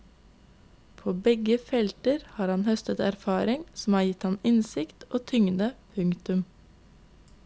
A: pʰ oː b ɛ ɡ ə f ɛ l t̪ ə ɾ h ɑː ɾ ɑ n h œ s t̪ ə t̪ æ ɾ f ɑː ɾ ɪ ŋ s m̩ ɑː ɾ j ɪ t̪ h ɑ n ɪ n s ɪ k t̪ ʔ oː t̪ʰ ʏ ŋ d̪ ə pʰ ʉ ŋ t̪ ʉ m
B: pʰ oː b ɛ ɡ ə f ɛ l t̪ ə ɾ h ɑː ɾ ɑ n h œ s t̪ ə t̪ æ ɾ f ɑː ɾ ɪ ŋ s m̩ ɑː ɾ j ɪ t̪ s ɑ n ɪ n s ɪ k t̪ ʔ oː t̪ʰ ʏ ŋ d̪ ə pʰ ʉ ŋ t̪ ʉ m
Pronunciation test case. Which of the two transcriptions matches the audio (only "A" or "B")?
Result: A